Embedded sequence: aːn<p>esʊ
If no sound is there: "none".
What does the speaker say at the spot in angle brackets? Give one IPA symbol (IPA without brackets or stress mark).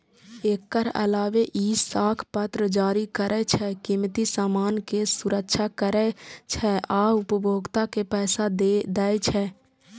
k